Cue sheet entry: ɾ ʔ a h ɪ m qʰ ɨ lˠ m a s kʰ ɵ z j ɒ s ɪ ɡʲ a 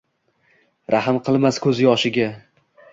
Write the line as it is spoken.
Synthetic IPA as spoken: ɾ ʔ a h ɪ m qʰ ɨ lˠ m a s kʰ ɵ z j ɒ ʃ ɪ ɡʲ a

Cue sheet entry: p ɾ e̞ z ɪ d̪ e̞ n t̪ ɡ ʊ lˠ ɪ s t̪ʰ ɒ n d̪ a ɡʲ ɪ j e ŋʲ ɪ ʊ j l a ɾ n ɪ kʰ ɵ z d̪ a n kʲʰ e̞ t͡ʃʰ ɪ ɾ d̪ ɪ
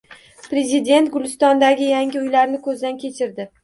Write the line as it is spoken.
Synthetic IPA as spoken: p ɾ e̞ z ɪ d̪ e̞ n t̪ ɡ ʊ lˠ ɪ s t̪ ɒ n d̪ a ɡʲ ɪ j a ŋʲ ɪ ʊ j l a ɾ n ɪ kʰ ɵ z d̪ a n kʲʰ e̞ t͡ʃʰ ɪ ɾ d̪ ɪ

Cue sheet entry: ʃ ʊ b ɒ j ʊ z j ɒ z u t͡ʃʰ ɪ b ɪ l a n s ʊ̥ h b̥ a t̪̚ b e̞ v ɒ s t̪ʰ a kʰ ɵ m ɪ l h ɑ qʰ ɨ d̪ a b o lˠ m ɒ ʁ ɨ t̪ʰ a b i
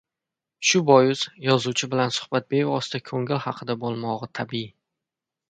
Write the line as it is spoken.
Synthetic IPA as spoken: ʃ ʊ b ɒ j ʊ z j ɒ z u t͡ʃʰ ɪ b ɪ l a n s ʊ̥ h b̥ a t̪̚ b e̞ v ɒ s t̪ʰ a kʰ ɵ ŋ ɪ l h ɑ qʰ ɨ d̪ a b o lˠ m ɒ ʁ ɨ t̪ʰ a b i

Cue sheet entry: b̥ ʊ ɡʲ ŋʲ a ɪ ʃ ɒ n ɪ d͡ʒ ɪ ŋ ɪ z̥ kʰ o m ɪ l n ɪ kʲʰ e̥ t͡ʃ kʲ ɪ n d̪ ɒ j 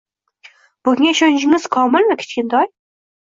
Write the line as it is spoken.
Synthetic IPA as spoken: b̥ ʊ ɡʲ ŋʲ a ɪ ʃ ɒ n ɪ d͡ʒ ɪ ŋ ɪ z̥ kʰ ɒ m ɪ l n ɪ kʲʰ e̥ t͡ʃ kʲ ɪ n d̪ ɒ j

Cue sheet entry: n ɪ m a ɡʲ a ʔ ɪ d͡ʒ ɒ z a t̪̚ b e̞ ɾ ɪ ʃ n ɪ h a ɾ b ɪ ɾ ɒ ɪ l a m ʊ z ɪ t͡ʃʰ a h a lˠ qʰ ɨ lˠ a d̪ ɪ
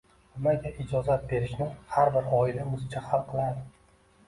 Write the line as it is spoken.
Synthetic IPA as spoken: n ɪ m a ɡʲ a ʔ ɪ d͡ʒ ɒ z a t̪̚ b e̞ ɾ ɪ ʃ n ɪ h a ɾ b ɪ ɾ ɒ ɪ l a m ʊ z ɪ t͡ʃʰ a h a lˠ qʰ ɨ lˠ a d̪ ɪ

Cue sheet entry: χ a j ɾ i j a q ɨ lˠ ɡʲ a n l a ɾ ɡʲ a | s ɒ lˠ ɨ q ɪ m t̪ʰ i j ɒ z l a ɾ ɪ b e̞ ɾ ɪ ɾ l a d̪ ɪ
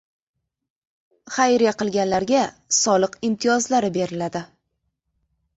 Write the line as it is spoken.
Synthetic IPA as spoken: χ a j ɾ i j a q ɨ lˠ ɡʲ a n l a ɾ ɡʲ a | s ɒ lˠ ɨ q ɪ m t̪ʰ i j ɒ z l a ɾ ɪ b e̞ ɾ ɪ l a d̪ ɪ

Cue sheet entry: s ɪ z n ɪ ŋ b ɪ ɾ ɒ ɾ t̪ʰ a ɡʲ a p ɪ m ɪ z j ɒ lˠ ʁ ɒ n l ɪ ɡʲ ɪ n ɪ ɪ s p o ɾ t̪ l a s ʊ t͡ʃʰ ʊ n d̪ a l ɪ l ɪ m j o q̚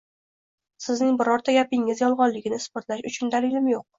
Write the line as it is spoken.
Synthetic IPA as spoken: s ɪ z n ɪ ŋ b ɪ ɾ ɒ ɾ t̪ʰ a ɡʲ a p ɪ ŋ ɪ z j ɒ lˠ ʁ ɒ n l ɪ ɡʲ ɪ n ɪ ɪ s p o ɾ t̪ l a ʃ ʊ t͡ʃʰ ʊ n d̪ a l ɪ l ɪ m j o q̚

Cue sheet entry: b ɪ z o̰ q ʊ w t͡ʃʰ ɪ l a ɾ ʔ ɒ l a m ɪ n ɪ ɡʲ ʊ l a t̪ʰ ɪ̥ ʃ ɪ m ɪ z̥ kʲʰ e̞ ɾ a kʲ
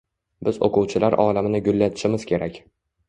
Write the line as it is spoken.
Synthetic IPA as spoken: b ɪ z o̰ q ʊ w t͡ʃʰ ɪ l a ɾ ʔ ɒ l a m ɪ n ɪ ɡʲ ʊ lː a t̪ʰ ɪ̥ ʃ ɪ m ɪ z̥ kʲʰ e̞ ɾ a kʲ

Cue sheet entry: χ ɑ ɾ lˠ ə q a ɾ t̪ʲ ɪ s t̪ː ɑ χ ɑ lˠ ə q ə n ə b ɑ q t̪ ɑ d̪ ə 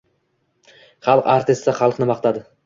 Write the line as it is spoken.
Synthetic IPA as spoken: χ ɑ lˠ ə q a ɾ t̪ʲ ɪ s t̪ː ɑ χ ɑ lˠ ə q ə n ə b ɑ q t̪ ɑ d̪ ə

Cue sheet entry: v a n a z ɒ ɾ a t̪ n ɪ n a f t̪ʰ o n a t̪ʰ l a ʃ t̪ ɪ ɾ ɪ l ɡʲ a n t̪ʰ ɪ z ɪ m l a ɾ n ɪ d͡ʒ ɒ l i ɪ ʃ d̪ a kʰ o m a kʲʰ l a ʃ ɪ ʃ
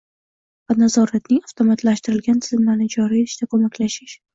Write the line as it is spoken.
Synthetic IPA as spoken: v a n a z ɒ ɾ a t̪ n ɪ ŋ a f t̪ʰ o m a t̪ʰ l a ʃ t̪ ɪ ɾ ɪ l ɡʲ a n t̪ʰ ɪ z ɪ m l a ɾ n ɪ d͡ʒ ɒ ɾ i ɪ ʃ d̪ a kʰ o m a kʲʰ l a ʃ ɪ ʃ

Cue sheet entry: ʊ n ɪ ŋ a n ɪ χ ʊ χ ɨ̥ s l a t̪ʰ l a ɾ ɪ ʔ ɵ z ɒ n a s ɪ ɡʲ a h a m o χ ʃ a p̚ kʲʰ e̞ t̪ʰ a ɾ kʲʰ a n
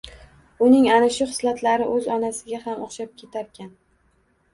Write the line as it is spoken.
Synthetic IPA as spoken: ʊ n ɪ ŋ a n ɪ ʃ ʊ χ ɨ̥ s l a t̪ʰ l a ɾ ɪ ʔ ɵ z ɒ n a s ɪ ɡʲ a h a m o χ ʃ a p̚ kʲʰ e̞ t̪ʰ a ɾ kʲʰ a n

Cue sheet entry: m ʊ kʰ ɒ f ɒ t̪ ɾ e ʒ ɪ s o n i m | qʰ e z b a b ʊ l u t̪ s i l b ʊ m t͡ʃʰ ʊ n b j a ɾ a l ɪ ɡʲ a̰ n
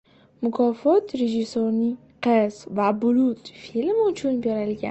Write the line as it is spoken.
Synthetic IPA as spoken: m ʊ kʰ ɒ f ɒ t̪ ɾ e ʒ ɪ s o n i | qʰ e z v a b ʊ l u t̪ f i l m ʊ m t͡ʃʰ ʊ n b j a ɾ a l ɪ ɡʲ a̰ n

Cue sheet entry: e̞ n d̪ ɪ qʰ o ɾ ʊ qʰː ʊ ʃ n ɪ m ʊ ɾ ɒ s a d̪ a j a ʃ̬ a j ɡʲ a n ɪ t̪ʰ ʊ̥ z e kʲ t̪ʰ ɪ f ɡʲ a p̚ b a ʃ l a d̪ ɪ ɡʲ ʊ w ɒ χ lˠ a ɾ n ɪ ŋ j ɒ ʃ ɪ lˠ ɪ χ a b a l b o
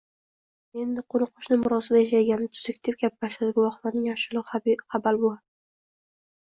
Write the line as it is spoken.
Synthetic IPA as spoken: e̞ n d̪ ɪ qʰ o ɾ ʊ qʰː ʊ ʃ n ɪ m ʊ ɾ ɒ s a d̪ a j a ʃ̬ a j ɡʲ a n ɪ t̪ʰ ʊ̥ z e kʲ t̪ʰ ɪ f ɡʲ a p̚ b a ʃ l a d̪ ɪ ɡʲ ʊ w ɒ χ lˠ a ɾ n ɪ ŋ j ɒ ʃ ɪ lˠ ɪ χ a b a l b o

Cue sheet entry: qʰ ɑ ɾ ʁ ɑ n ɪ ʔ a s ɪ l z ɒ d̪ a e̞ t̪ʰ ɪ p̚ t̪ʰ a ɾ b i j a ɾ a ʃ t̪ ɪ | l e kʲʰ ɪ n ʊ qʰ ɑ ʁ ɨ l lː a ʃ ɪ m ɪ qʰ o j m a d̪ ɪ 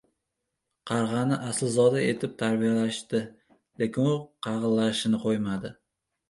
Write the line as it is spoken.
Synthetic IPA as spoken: qʰ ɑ ɾ ʁ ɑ n ɪ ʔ a s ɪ l z ɒ d̪ a e̞ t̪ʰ ɪ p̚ t̪ʰ a ɾ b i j a l a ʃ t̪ ɪ | l e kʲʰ ɪ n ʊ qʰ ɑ ʁ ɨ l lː a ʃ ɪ n ɪ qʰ o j m a d̪ ɪ

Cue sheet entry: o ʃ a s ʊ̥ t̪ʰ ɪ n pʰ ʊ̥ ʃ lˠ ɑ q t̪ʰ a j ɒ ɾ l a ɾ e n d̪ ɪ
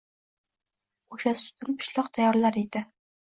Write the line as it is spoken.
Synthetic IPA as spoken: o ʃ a s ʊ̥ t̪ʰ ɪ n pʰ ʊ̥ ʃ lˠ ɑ q t̪ʰ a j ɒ ɾ l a ɾ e d̪ ɪ

